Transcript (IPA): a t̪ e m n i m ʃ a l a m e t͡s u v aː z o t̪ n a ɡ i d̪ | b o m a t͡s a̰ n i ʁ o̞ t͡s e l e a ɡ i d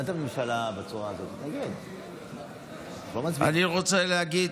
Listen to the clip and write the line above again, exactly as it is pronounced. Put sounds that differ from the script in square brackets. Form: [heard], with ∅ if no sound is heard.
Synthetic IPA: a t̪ [a] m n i m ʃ a l a [b] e t͡s u [ʁ] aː z o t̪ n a ɡ i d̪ | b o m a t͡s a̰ n i ʁ o̞ t͡s e l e a ɡ i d